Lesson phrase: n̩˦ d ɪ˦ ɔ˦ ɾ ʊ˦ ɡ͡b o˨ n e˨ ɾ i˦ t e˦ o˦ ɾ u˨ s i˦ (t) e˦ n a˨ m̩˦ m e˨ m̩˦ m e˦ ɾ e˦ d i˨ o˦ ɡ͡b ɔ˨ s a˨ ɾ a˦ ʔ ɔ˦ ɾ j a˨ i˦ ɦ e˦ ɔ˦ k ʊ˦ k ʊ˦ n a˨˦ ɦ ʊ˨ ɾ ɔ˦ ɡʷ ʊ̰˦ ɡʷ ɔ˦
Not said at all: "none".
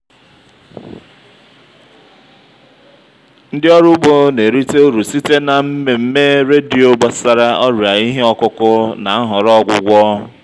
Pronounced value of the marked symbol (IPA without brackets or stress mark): t